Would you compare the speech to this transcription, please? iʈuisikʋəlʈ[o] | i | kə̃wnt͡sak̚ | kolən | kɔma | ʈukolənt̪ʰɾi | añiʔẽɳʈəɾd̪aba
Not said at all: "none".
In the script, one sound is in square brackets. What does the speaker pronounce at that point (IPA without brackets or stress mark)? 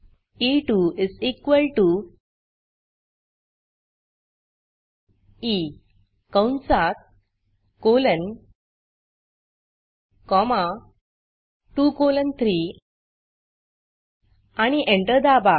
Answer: u